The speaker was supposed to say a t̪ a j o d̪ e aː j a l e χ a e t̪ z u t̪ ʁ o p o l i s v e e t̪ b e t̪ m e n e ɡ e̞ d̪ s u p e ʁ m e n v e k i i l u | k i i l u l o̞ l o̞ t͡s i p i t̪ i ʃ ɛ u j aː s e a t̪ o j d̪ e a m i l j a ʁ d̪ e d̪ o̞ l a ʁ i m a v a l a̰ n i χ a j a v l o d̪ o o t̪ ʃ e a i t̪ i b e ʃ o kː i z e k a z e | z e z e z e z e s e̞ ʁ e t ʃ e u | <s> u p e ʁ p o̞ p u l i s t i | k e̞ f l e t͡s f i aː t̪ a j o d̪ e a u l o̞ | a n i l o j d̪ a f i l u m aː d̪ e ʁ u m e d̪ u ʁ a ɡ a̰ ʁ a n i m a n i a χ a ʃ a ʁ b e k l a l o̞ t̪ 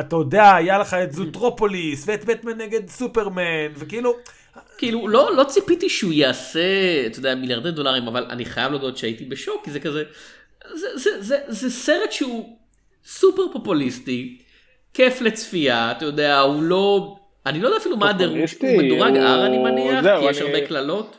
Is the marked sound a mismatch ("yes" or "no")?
no